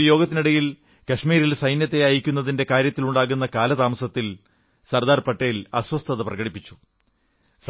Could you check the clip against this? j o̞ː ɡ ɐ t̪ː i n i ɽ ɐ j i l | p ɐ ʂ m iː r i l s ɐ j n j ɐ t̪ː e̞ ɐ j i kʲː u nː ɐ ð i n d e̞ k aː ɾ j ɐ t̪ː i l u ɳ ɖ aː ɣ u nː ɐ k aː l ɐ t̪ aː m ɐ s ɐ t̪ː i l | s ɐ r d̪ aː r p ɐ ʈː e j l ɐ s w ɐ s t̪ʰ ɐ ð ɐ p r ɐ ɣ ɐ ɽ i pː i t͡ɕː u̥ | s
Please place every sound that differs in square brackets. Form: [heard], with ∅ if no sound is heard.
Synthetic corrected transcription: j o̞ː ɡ ɐ t̪ː i n i ɽ ɐ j i l | [k] ɐ ʂ m iː [ɾ] i l s ɐ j n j ɐ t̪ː e̞ ɐ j i kʲː u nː ɐ ð i n d e̞ k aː ɾ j ɐ t̪ː i l u ɳ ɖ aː ɣ u nː ɐ k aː l ɐ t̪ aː m ɐ s ɐ t̪ː i l | s ɐ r d̪ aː r p ɐ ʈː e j l ɐ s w ɐ s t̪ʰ ɐ ð ɐ p r ɐ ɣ ɐ ɽ i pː i t͡ɕː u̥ | s

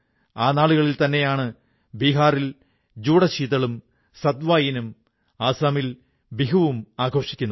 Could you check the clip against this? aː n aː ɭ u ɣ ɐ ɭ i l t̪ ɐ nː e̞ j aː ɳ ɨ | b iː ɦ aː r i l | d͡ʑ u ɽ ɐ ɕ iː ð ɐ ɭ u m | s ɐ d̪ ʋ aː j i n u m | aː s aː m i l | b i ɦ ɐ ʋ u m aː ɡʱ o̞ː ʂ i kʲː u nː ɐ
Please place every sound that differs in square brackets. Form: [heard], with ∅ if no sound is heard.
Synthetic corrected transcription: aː n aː ɭ u ɣ ɐ ɭ i l t̪ ɐ nː e̞ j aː ɳ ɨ | b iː ɦ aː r i l | d͡ʑ [uː] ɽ ɐ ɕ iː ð ɐ ɭ u m | s ɐ d̪ ʋ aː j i n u m | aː s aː m i l | b i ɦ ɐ ʋ u m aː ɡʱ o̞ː ʂ i kʲː u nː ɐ

